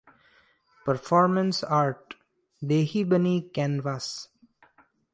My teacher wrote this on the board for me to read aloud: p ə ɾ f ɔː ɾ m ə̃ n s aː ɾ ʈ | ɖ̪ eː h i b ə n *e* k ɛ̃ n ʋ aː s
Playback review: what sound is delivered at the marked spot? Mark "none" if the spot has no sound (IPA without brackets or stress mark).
i